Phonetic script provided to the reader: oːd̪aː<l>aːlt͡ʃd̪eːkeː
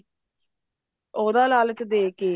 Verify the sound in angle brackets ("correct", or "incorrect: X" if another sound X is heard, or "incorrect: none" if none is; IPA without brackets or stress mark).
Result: correct